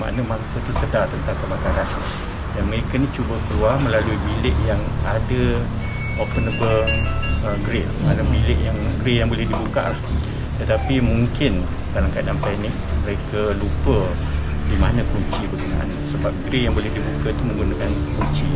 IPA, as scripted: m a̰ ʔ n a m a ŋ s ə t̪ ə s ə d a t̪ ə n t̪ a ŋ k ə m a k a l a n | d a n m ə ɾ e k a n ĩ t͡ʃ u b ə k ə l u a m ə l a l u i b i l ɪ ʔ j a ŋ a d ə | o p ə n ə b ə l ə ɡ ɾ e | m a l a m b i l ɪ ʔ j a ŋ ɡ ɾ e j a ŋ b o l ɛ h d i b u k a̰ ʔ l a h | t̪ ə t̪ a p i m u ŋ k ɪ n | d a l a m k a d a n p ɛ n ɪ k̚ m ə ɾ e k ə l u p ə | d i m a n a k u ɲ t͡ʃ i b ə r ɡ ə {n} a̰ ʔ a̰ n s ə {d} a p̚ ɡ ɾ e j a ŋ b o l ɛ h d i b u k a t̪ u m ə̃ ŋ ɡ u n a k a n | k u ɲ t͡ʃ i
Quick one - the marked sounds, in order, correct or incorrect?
correct, incorrect

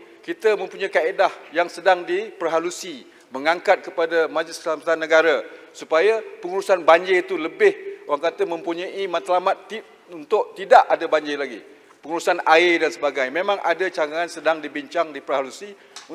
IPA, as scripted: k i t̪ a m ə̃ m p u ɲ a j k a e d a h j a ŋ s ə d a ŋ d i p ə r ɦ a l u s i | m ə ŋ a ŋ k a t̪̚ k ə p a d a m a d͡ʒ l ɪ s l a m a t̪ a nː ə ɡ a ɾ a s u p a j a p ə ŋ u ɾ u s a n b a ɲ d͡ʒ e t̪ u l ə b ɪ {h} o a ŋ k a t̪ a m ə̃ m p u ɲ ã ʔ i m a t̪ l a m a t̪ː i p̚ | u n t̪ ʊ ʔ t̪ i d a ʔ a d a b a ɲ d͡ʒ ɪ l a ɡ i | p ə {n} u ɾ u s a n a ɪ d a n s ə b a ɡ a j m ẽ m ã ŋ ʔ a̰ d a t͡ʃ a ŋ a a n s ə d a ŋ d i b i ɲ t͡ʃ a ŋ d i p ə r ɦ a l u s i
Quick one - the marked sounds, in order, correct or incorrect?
correct, incorrect

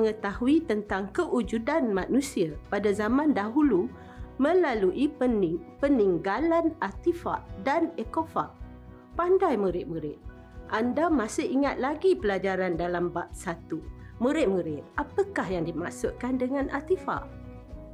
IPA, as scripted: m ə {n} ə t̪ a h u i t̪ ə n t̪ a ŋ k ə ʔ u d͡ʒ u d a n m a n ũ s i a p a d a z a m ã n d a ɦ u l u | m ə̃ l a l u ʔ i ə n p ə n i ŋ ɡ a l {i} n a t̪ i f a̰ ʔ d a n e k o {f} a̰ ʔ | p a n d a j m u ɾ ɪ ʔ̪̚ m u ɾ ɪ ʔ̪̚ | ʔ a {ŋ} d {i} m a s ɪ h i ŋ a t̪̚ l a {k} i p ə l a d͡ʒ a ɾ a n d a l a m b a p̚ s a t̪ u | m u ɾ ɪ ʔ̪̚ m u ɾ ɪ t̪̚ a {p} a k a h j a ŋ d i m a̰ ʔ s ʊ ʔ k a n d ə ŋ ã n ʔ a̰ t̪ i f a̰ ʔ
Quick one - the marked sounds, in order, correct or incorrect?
incorrect, incorrect, correct, incorrect, incorrect, incorrect, correct

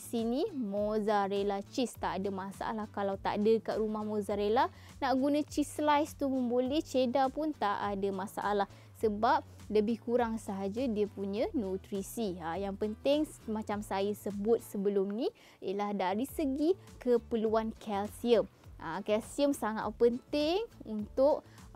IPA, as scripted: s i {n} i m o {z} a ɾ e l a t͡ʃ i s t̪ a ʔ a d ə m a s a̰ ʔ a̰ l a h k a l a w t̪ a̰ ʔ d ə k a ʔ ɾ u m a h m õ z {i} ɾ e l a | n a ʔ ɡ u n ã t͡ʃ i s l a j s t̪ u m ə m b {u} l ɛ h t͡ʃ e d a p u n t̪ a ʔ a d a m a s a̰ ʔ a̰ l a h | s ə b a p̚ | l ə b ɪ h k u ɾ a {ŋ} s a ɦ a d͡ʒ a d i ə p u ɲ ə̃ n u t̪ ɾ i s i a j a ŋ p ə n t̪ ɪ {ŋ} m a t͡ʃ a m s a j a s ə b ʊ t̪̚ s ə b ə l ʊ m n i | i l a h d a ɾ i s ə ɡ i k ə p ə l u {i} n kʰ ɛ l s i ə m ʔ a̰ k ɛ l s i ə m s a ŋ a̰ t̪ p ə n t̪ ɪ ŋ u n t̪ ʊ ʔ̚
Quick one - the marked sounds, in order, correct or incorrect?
correct, correct, incorrect, incorrect, correct, correct, incorrect

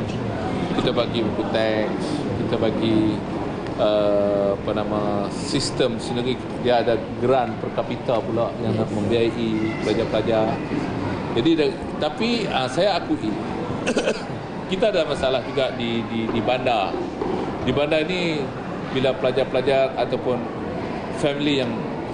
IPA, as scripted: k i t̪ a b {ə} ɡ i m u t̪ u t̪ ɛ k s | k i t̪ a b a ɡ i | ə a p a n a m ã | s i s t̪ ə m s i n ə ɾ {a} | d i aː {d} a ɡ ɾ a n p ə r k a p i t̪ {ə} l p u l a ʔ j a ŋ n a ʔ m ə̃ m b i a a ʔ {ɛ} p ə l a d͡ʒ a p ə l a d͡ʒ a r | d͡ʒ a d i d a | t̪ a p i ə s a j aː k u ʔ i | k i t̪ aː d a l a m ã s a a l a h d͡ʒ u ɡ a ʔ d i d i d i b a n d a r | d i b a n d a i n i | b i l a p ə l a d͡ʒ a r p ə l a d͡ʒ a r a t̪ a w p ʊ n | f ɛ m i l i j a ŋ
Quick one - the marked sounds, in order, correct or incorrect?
incorrect, incorrect, correct, incorrect, incorrect

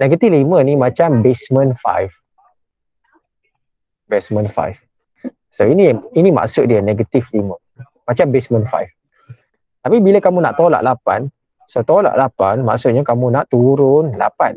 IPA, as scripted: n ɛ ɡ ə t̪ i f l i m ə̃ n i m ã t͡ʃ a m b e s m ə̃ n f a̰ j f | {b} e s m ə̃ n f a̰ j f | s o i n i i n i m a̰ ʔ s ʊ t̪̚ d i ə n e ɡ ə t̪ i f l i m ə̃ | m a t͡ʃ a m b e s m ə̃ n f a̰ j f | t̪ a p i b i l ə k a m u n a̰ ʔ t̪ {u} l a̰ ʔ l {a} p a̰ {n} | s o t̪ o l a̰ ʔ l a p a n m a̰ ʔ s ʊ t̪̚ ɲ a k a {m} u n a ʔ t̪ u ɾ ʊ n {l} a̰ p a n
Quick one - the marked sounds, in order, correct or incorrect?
correct, incorrect, correct, correct, correct, correct

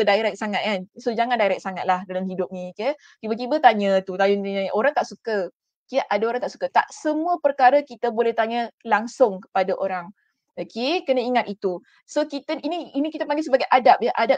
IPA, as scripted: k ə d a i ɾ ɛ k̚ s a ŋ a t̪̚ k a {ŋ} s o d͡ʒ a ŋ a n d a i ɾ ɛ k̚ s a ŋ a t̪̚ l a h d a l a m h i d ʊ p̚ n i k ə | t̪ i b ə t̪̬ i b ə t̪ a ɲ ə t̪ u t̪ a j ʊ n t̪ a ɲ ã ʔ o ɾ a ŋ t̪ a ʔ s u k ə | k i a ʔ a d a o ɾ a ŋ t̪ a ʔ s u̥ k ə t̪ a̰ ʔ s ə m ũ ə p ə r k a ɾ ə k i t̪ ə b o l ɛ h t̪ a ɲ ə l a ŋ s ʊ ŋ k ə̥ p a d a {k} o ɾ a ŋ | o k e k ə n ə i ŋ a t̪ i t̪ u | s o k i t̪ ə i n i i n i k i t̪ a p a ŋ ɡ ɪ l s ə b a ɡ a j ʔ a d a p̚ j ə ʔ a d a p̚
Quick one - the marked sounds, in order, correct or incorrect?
incorrect, incorrect

